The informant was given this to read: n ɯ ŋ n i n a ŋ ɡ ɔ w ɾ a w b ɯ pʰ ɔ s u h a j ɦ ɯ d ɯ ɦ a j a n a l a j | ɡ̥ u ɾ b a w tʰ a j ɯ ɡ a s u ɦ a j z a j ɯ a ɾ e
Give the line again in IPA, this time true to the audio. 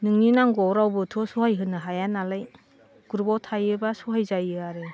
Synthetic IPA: n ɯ ŋ n i n a ŋ ɡ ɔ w ɾ a w b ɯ tʰ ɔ s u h a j ɦ ɯ n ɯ ɦ a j a n a l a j | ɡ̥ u ɾ b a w tʰ a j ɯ b a s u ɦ a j z a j ɯ a ɾ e